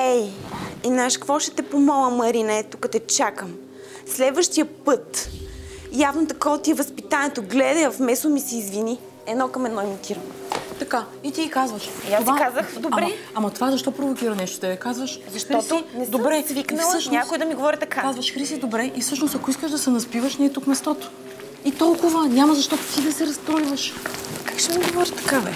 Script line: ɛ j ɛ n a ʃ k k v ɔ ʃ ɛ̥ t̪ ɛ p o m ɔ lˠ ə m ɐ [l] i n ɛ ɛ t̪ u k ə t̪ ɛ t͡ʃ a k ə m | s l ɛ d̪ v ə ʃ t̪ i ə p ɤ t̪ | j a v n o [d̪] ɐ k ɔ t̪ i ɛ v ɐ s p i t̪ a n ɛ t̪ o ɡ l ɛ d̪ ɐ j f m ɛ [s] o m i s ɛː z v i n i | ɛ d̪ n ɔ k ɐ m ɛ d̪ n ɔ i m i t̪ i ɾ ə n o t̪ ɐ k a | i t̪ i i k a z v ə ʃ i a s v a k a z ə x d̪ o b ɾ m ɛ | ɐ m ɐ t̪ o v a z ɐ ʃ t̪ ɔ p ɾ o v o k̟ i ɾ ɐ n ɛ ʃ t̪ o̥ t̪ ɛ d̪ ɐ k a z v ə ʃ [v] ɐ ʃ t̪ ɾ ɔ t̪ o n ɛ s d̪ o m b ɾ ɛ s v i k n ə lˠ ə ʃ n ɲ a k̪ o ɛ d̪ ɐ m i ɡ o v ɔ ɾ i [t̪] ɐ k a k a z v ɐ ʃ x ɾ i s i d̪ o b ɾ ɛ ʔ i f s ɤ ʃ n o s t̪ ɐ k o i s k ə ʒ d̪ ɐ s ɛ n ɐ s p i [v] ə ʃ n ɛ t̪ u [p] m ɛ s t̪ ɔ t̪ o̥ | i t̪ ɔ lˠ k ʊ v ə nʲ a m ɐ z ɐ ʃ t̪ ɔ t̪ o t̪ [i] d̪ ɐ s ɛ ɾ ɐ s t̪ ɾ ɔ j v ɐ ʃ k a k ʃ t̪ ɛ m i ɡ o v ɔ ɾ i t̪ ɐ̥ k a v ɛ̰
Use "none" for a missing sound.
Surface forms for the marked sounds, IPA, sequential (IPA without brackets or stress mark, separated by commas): ɾ, t̪, s, z, t̪, v, k, i